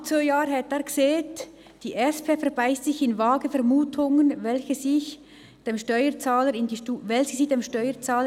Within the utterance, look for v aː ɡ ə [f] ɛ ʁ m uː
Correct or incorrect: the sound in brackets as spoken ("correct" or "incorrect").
correct